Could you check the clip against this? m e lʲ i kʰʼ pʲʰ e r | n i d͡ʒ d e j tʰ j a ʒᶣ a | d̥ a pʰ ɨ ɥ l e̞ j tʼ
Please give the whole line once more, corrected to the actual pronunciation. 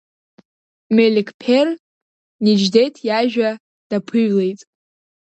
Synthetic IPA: m e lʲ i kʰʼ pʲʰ e r | n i d͡ʒ d e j tʰ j a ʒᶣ a | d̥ a pʰ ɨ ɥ l e̞ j tʼ